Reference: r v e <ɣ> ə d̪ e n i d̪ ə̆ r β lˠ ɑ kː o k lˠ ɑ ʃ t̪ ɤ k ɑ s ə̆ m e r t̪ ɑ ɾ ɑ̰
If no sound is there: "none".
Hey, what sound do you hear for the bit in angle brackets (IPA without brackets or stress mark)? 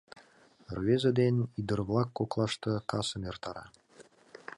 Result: z